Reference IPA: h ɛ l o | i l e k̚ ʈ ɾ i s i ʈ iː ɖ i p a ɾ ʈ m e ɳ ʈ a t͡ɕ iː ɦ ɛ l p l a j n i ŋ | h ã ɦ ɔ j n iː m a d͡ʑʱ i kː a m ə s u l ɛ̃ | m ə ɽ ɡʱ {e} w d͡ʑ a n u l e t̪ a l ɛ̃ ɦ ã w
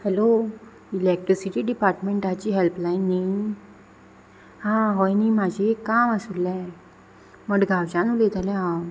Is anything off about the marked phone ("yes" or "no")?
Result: yes